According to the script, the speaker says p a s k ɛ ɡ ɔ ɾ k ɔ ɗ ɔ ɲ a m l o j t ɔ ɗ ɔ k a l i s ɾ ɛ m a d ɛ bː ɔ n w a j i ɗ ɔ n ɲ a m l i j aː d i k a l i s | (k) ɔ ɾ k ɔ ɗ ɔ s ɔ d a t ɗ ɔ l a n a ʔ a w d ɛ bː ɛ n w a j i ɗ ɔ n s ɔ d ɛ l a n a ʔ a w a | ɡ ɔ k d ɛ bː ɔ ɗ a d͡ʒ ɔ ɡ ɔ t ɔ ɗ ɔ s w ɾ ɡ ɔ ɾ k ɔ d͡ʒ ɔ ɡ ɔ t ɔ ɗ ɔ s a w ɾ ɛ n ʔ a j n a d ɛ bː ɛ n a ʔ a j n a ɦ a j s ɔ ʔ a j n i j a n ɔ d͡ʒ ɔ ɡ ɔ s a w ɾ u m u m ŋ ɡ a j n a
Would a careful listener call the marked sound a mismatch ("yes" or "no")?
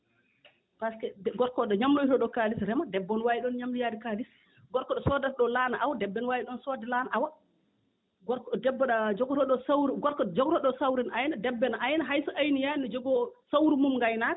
yes